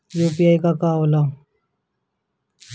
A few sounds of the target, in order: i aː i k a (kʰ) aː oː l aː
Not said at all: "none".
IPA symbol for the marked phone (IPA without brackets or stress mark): k